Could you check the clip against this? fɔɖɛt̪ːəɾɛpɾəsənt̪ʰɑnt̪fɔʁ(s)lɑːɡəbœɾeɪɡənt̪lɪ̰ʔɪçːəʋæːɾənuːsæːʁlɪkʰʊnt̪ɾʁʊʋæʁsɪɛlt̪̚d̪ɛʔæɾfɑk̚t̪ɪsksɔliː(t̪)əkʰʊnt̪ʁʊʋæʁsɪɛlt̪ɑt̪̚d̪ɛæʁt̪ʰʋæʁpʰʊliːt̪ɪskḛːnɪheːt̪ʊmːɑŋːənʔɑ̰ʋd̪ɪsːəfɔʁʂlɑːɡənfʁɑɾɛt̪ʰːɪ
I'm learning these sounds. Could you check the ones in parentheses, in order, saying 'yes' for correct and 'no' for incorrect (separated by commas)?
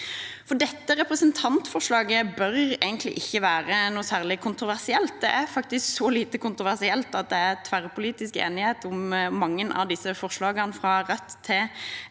no, yes